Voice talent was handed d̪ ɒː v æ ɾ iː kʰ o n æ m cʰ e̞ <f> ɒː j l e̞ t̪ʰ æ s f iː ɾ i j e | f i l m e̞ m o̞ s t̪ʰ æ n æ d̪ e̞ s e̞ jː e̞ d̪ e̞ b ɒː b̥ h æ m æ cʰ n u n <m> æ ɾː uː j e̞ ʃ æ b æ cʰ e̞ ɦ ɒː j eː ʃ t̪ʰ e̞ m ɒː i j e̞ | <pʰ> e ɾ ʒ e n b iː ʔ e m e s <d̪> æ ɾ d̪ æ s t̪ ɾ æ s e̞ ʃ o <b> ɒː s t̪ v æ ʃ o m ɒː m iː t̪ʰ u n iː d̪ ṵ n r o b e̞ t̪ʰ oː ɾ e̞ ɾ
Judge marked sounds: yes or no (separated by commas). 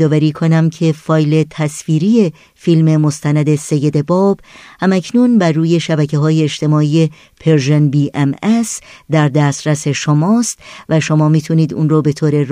yes, no, yes, yes, no